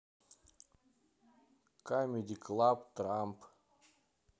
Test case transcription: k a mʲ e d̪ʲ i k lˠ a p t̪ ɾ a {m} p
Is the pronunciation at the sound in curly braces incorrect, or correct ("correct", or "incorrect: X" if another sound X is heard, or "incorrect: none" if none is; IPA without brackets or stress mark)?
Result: correct